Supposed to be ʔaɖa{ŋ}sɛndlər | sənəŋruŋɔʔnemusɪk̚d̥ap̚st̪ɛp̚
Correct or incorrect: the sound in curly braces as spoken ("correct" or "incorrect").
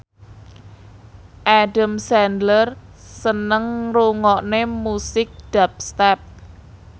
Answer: incorrect